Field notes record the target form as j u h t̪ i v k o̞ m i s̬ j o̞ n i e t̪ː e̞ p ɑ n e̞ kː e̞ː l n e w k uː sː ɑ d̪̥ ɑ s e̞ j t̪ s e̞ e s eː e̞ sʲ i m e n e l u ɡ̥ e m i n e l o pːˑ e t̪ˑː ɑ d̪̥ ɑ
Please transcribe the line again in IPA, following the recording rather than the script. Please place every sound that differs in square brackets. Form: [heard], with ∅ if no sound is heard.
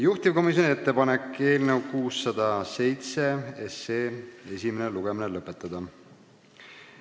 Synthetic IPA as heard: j u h t̪ i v k o̞ m i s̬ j o̞ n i e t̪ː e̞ p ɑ n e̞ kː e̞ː l n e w k uː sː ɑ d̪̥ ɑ s e̞ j t̪ s e̞ e s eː e̞ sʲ i m e n e l u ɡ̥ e m i n e l [ɤ] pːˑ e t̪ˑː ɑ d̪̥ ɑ